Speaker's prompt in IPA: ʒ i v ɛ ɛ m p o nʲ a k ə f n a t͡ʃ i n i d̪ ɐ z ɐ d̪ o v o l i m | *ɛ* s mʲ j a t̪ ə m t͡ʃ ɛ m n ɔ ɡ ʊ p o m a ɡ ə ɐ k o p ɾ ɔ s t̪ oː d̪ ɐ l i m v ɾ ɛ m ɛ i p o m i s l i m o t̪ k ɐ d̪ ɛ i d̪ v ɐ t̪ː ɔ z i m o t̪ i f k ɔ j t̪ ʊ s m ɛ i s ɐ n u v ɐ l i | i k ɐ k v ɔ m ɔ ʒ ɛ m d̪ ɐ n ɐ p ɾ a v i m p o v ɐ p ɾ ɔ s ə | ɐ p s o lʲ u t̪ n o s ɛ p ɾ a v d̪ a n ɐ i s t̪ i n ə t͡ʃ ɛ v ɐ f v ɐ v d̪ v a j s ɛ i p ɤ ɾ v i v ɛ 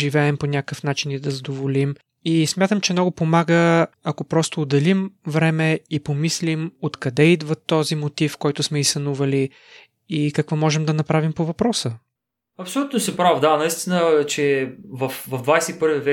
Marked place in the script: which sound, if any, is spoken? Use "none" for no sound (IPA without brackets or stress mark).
i